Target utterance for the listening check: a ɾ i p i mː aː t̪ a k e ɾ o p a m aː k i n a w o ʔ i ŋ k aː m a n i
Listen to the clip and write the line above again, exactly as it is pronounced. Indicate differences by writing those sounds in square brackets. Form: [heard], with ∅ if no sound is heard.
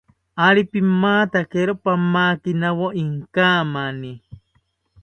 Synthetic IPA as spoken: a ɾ i p i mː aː t̪ a k e ɾ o p a m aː k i n a w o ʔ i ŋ k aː m a n i